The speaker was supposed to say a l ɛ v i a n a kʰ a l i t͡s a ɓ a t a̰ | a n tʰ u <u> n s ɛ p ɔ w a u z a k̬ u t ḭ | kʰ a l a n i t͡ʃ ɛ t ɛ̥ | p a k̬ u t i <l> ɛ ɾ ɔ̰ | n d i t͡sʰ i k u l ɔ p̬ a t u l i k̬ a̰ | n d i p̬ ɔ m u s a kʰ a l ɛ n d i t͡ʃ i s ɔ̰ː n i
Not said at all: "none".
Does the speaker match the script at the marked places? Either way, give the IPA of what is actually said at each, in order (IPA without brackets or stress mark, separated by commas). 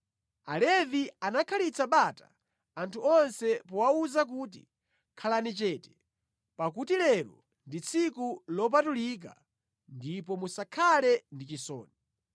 ɔ, l